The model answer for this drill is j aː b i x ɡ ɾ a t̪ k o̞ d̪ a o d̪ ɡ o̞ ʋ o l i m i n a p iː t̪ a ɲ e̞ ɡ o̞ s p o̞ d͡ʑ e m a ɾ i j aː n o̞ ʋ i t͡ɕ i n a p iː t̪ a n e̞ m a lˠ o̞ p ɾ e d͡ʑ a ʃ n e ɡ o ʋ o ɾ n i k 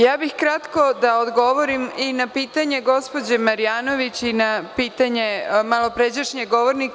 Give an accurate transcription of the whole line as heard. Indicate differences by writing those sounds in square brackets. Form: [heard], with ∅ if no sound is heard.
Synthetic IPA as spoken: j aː b i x [k] ɾ a t̪ k o̞ d̪ a o d̪ ɡ o̞ ʋ o [ɾ] i m i n a p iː t̪ a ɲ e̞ ɡ o̞ s p o̞ d͡ʑ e m a ɾ i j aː n o̞ ʋ i t͡ɕ i n a p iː t̪ a [ɲ] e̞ m a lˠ o̞ p ɾ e d͡ʑ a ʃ [ɲ] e ɡ o ʋ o ɾ n i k